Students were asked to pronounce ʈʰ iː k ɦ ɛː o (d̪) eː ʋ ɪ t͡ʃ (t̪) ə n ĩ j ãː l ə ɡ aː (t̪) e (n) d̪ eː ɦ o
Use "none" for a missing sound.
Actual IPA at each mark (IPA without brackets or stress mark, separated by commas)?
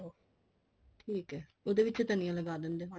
d̪, t̪, d̪, n